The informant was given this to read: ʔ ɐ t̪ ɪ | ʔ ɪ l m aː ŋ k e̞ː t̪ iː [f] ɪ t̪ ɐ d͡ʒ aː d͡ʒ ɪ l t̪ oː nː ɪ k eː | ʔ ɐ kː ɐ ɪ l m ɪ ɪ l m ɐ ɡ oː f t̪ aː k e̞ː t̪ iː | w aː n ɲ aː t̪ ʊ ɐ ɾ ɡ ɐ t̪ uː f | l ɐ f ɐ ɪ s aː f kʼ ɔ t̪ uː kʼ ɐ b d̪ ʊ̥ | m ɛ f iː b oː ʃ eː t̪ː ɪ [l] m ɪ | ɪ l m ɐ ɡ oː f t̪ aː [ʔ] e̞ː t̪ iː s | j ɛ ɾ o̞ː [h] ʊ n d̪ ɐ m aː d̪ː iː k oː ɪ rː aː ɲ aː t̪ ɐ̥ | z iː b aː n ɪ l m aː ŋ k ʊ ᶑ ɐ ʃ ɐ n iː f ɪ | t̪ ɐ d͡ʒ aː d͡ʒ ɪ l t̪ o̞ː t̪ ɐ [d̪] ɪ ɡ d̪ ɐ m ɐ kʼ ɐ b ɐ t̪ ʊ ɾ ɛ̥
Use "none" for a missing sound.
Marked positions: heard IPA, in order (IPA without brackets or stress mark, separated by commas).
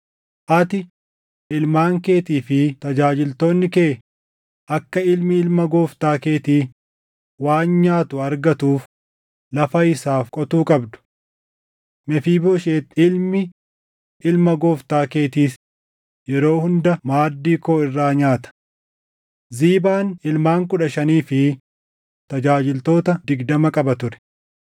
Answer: f, l, k, h, d̪